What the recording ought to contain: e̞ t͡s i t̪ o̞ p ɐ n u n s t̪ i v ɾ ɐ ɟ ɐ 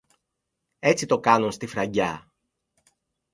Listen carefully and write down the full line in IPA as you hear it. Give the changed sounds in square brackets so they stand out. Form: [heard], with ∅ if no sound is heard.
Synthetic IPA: e̞ t͡s i t̪ o̞ [k] ɐ n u n s t̪ i [f] ɾ ɐ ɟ ɐ